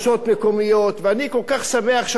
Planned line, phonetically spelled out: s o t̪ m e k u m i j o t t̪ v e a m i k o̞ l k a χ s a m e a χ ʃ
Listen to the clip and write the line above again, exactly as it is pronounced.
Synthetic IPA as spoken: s o t̪ m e k o m i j o t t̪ v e a n i k o̞ l k a χ s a m e a χ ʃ

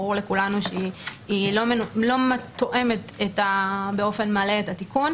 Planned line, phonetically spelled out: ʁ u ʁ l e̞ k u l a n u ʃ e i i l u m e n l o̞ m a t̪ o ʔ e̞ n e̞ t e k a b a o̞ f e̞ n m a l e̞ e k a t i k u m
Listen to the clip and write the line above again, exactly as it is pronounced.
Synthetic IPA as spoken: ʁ u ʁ l e̞ k u l a n u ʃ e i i l o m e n l o̞ m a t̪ o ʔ e̞ m e̞ t e t a b e o̞ f e̞ n m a l e̞ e t a t i k u n

